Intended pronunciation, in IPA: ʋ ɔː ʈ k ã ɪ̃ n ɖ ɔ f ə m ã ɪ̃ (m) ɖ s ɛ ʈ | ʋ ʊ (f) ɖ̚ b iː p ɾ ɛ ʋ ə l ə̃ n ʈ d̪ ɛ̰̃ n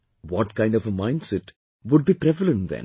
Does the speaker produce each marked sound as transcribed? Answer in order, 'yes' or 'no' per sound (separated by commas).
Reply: no, no